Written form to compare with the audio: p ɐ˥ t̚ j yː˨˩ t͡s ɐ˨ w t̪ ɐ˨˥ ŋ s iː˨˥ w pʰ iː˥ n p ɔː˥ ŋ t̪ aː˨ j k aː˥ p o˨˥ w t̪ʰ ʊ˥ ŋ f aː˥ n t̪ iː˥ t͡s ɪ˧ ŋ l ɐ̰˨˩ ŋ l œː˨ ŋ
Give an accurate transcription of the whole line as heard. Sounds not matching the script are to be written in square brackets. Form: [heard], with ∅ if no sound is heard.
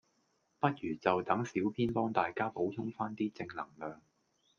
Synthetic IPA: p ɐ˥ t̚ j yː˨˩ t͡s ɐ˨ w t̪ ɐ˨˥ ŋ s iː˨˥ w pʰ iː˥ n p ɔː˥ ŋ t̪ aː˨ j k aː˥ p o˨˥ w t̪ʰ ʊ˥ ŋ f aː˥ n t̪ iː˥ t͡s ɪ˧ ŋ l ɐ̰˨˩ ŋ l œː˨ ŋ